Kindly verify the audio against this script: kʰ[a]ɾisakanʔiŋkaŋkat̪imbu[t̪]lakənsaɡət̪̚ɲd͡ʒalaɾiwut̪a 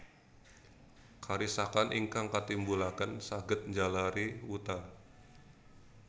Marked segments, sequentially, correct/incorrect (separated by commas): correct, incorrect